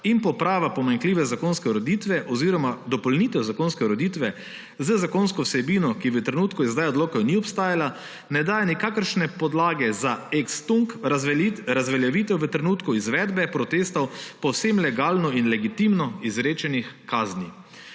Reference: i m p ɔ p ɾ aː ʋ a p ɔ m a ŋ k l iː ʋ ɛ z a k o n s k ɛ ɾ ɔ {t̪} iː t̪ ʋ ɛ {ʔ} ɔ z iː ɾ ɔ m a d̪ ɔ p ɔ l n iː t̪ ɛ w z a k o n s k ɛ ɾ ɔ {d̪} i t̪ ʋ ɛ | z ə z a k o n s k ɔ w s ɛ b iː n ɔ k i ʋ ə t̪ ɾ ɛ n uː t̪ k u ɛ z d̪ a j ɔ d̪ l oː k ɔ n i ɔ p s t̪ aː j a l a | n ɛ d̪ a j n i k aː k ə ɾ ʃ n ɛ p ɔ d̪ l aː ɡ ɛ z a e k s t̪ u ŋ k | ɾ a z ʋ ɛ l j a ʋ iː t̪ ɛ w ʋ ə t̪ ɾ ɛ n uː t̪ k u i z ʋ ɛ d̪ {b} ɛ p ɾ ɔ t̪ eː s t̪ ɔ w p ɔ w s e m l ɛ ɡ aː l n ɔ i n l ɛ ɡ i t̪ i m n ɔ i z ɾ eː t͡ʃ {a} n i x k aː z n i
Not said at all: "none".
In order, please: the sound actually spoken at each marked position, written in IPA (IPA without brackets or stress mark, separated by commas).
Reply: d̪, ʔ, d̪, b, ɛ